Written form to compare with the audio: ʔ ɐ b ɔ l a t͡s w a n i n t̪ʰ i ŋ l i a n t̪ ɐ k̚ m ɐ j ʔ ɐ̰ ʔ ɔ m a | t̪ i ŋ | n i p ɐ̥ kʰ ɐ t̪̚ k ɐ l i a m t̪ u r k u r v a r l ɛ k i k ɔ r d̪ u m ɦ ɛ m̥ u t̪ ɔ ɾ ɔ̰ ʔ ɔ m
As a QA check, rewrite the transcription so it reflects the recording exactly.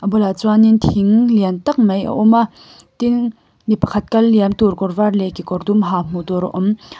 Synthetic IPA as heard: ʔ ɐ b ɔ l a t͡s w a n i n t̪ʰ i ŋ l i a n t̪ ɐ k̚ m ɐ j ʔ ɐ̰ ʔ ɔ m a | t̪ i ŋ | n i p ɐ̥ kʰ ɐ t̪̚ k ɐ lː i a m t̪ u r k ɔ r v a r l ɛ k i k ɔ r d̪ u m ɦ a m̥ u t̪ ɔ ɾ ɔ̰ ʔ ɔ m